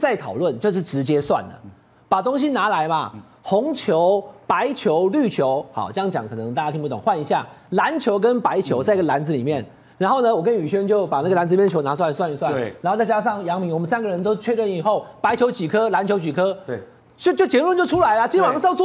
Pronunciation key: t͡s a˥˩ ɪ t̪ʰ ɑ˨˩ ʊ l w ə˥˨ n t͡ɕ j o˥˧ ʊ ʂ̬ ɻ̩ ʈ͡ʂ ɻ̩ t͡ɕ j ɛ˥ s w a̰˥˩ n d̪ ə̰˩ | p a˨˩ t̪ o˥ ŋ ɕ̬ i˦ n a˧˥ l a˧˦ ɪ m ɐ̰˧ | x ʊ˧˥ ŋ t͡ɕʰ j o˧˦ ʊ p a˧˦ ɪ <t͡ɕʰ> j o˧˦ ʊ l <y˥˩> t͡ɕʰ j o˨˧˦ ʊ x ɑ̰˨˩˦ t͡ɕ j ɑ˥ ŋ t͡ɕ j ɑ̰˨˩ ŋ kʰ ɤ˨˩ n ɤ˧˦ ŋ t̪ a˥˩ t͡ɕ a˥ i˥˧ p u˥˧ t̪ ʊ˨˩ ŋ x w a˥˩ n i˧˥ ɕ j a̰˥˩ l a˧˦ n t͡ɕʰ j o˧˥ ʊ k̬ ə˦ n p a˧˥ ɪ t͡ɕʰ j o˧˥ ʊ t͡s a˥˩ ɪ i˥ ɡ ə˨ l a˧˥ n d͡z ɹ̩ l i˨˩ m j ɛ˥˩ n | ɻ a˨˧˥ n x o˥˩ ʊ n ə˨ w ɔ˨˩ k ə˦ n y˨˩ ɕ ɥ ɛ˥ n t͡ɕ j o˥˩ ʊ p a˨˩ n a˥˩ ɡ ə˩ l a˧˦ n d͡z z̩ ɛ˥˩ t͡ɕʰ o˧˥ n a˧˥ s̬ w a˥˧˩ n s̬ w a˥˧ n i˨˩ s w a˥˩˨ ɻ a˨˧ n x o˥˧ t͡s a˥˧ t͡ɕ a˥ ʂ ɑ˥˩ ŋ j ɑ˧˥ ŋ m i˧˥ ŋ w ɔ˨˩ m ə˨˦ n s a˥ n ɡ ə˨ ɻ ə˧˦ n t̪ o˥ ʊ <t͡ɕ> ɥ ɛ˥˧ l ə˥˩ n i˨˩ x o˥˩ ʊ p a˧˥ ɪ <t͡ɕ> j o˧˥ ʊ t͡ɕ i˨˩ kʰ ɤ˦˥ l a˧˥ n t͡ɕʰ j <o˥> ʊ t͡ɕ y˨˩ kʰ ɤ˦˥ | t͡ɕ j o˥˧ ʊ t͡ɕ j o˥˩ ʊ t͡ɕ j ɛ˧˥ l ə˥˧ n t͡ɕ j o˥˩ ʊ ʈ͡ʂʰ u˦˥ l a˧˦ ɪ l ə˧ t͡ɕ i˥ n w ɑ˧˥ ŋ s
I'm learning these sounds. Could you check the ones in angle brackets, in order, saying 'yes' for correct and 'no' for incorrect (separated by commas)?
yes, yes, no, no, no